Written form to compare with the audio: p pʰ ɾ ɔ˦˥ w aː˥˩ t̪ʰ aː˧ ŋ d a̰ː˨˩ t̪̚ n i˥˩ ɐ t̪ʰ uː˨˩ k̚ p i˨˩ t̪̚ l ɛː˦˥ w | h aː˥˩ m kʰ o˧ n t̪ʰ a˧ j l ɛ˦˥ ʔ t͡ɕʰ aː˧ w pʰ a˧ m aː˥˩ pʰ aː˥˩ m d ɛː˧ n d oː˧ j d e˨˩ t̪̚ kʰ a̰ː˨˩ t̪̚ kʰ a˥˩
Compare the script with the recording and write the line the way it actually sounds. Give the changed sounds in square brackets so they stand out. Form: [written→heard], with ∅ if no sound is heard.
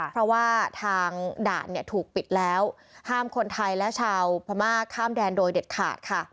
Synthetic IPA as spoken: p pʰ ɾ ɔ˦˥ w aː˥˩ t̪ʰ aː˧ ŋ d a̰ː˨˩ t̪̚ n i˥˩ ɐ t̪ʰ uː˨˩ k̚ p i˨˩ t̪̚ l ɛː˦˥ w | h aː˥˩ m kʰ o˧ n t̪ʰ a˧ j l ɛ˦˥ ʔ t͡ɕʰ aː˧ w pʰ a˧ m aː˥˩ [pʰ→kʰ] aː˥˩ m d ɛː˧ n d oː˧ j d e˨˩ t̪̚ kʰ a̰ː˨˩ t̪̚ kʰ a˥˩